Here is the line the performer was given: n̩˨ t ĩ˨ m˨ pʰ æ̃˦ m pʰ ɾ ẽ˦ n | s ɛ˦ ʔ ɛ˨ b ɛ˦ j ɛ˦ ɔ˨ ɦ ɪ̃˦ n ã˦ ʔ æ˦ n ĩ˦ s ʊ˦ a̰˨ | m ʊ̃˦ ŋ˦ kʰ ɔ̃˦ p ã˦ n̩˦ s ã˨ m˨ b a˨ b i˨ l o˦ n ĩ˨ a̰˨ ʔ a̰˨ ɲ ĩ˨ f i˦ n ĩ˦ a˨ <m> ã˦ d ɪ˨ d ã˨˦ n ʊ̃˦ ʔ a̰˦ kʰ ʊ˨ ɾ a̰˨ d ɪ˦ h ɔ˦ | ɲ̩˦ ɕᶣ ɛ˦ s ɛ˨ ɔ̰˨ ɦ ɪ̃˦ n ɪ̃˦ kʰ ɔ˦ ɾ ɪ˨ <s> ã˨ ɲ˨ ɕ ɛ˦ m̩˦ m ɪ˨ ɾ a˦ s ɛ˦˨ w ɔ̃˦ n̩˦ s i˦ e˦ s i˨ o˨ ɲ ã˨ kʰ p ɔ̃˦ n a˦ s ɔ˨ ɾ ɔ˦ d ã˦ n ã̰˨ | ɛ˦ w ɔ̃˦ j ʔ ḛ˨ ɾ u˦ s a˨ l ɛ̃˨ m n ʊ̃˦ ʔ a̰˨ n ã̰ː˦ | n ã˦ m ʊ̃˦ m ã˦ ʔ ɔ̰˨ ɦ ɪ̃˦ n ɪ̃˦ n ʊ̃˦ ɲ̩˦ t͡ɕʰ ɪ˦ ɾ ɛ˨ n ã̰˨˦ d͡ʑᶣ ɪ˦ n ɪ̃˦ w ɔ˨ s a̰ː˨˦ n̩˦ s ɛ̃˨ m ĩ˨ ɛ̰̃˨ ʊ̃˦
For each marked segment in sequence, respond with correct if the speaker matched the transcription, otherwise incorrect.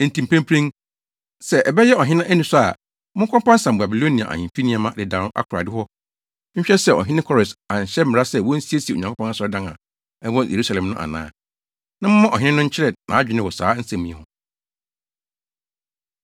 correct, correct

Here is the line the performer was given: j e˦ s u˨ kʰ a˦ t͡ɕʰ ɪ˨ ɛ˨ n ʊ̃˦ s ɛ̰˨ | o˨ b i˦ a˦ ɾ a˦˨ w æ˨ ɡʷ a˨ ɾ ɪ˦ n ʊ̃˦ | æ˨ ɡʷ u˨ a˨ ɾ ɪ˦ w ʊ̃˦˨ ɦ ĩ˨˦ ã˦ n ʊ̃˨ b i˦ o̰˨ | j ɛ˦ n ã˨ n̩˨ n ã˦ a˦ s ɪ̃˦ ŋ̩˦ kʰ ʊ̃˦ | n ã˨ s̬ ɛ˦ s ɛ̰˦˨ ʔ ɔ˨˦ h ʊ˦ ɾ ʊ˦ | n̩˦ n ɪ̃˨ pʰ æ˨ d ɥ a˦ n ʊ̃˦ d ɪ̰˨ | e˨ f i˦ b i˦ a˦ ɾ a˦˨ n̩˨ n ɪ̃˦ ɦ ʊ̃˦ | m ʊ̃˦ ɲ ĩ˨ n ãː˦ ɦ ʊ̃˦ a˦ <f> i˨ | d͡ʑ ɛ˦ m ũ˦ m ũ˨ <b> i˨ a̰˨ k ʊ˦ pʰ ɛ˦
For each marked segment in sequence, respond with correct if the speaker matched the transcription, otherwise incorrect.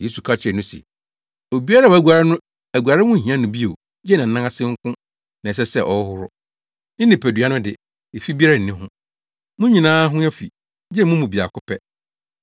correct, correct

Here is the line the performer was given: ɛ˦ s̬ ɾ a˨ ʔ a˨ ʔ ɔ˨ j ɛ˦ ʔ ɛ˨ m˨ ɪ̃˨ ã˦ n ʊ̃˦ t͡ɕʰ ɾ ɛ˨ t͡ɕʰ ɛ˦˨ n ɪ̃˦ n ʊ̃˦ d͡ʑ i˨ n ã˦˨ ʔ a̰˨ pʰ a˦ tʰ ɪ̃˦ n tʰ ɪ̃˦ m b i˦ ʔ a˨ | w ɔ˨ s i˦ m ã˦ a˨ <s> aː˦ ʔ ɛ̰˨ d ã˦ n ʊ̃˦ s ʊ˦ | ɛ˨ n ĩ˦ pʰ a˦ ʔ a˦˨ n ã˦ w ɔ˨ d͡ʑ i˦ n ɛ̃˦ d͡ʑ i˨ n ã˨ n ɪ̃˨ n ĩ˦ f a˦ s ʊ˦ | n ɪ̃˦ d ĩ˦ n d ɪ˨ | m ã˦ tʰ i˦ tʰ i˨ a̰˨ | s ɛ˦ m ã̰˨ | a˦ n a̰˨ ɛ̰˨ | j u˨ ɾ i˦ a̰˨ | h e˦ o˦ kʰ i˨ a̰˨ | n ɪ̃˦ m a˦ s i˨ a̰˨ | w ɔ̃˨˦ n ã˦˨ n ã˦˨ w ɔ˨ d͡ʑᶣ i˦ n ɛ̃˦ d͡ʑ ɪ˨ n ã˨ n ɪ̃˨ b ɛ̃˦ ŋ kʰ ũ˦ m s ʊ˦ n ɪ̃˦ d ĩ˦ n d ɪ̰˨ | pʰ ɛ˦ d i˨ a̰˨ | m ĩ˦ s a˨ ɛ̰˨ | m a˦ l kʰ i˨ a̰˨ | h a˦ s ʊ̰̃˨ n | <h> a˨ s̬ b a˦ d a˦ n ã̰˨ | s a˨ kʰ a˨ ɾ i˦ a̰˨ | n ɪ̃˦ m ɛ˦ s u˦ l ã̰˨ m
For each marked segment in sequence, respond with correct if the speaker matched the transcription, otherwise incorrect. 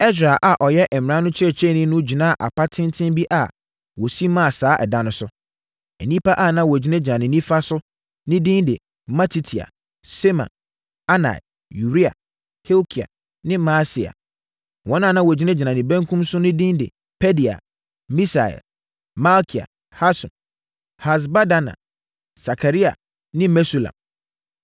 correct, correct

